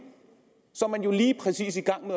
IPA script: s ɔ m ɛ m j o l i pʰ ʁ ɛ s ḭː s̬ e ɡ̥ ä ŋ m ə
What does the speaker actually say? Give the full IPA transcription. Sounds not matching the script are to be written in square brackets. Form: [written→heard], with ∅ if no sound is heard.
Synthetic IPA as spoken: s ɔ m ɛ [m→n] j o l [i→iː] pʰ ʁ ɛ s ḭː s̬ [e→i] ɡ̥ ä ŋ m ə